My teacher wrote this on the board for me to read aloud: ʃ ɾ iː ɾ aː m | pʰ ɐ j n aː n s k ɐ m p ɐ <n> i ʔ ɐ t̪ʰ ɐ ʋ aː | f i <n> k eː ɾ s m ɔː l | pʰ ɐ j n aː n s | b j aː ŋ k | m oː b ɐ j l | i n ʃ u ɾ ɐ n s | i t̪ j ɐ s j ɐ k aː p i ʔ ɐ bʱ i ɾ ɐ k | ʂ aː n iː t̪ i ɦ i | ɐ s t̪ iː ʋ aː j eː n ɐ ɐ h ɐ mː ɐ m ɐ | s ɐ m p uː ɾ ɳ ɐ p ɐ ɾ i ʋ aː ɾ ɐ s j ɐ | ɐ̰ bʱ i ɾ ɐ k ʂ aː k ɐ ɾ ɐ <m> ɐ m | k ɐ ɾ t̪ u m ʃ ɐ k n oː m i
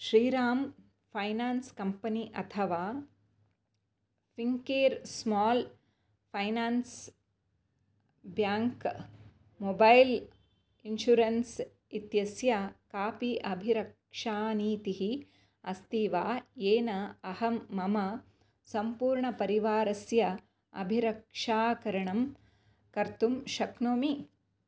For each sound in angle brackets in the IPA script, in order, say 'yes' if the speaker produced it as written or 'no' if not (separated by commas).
yes, no, no